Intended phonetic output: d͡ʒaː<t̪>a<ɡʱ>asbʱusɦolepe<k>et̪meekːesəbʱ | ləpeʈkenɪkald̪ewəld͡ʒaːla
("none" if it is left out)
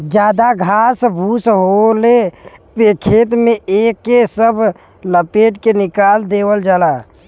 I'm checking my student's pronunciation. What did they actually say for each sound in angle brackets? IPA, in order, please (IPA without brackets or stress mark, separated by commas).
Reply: d̪, ɡʱ, kʰ